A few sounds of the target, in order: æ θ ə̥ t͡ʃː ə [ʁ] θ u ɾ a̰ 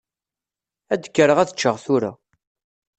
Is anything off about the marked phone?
no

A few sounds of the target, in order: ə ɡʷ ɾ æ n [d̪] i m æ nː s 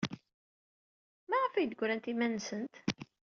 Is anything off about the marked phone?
yes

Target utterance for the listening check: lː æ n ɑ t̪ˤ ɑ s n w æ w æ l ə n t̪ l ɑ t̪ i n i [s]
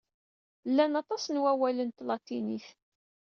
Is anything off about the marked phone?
yes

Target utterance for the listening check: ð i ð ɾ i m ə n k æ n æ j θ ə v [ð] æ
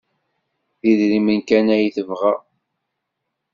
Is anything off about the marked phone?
yes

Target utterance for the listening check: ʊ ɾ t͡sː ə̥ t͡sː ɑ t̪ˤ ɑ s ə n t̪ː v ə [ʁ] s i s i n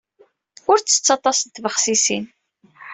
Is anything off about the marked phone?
yes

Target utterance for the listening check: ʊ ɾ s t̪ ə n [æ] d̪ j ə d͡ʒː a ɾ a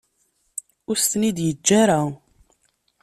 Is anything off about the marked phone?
yes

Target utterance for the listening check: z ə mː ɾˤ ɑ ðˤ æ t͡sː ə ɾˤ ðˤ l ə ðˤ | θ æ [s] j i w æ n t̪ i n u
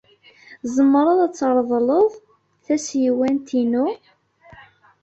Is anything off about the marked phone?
no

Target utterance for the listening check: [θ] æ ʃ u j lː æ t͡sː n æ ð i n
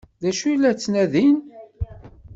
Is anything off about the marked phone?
yes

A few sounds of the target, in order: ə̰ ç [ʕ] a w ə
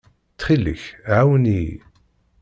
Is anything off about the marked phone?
no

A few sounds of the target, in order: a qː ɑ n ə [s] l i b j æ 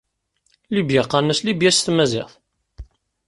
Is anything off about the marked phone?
no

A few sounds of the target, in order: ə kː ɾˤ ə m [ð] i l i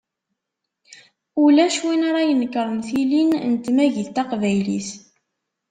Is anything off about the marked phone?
yes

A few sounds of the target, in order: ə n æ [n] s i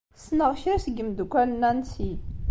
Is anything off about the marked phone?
no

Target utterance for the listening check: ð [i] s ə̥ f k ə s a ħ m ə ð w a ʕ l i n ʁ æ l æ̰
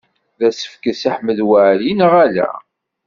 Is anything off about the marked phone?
yes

